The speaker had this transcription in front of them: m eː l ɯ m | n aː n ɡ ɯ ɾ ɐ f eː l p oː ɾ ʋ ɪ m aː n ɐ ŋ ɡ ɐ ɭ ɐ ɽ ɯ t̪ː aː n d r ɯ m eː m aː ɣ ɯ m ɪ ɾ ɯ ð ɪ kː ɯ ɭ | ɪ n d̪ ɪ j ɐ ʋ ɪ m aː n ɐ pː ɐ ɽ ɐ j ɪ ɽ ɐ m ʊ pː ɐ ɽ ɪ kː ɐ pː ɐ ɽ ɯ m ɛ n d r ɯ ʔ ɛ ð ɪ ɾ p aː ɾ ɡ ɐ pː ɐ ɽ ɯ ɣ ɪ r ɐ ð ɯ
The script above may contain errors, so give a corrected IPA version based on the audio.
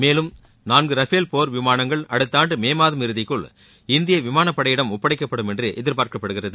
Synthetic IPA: m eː l ɯ m | n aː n ɡ ɯ ɾ ɐ f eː l p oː ɾ ʋ ɪ m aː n ɐ ŋ ɡ ɐ ɭ ɐ ɽ ɯ t̪ː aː n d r ɯ m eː m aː ð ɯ m ɪ ɾ ɯ ð ɪ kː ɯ ɭ | ɪ n d̪ ɪ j ɐ ʋ ɪ m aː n ɐ pː ɐ ɽ ɐ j ɪ ɽ ɐ m ʊ pː ɐ ɽ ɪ kː ɐ pː ɐ ɽ ɯ m ɛ n d r ɯ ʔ ɛ ð ɪ ɾ p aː ɾ k ɐ pː ɐ ɽ ɯ ɣ ɪ r ɐ ð ɯ